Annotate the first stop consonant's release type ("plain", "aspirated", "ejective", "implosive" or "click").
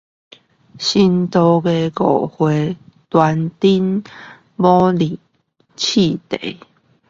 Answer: plain